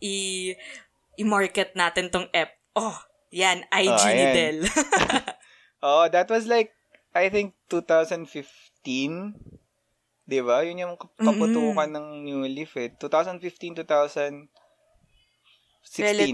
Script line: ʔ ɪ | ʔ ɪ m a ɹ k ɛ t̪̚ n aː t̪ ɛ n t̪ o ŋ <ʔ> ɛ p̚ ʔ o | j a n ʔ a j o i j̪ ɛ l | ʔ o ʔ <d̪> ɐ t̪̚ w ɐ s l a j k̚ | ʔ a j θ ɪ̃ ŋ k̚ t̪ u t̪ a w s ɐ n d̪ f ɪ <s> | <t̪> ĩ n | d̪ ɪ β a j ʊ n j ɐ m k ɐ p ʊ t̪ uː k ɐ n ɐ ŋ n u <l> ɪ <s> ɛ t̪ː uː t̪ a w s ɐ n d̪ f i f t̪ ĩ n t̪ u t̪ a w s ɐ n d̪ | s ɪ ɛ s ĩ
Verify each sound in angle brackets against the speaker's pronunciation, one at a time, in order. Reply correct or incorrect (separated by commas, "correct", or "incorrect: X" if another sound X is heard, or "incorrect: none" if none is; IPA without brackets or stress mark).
correct, correct, incorrect: f, correct, correct, incorrect: f